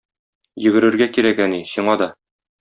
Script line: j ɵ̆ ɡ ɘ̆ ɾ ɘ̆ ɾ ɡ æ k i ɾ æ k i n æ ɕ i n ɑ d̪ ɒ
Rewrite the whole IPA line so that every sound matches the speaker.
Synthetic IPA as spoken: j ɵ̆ ɡ ɘ̆ ɾ ɘ̆ ɾ ɡ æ k i ɾ æ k æ n i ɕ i ɴ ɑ d̪ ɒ